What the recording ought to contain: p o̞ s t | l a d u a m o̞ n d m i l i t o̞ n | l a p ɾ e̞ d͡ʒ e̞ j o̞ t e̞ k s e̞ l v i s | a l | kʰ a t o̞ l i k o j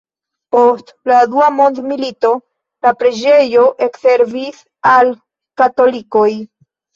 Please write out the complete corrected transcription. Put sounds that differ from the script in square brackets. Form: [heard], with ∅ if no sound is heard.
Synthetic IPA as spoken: p o̞ s t | l a d u a m o̞ n d m i l i t o̞ [∅] | l a p ɾ e̞ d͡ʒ e̞ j o̞ [ʔ] e̞ k s e̞ [ɾ] v i s | a l | [k] a t o̞ l i k o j